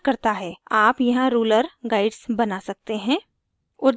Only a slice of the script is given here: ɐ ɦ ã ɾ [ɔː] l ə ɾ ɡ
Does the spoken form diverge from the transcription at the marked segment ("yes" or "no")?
yes